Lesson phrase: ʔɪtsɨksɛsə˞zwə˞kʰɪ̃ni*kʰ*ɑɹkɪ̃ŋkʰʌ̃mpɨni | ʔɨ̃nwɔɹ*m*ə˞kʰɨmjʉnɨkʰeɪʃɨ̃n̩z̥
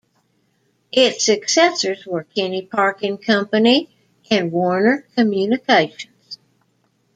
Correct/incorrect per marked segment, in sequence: incorrect, incorrect

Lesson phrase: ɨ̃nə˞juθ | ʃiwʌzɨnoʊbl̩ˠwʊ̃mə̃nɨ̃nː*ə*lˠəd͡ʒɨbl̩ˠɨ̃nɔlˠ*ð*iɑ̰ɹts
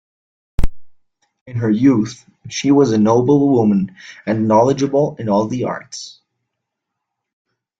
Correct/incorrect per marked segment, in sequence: incorrect, correct

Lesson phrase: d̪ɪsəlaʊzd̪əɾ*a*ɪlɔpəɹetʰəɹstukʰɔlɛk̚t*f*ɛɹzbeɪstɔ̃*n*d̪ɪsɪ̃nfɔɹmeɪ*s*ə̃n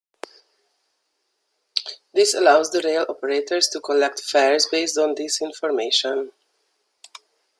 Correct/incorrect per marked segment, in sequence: incorrect, correct, correct, incorrect

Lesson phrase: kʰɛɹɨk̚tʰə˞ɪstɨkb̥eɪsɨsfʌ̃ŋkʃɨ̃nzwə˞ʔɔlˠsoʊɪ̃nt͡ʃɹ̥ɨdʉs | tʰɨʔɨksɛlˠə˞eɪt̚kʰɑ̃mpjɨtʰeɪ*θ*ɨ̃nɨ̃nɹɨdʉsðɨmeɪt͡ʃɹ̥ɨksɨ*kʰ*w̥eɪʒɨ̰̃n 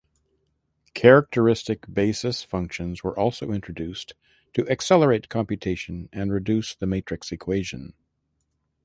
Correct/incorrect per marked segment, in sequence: incorrect, correct

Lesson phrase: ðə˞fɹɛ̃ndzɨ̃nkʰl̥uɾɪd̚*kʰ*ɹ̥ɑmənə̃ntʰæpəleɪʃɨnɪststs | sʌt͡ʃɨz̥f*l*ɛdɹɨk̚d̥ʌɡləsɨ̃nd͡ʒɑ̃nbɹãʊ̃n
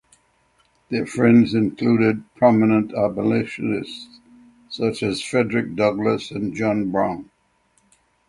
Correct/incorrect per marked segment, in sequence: incorrect, incorrect

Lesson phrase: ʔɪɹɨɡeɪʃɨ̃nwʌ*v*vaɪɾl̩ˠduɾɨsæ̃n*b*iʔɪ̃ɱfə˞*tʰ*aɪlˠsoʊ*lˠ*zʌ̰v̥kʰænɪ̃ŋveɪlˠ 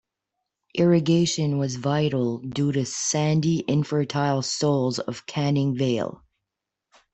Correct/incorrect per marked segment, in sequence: incorrect, incorrect, correct, correct

